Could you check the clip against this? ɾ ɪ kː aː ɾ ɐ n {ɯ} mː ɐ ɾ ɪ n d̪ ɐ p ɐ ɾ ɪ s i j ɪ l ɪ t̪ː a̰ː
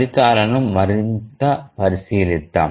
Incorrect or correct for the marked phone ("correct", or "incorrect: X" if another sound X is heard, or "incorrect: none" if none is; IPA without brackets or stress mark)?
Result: correct